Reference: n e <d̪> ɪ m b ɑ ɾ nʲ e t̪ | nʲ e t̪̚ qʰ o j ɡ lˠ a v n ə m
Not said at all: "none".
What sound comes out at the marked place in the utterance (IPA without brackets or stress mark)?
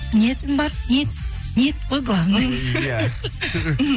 t̪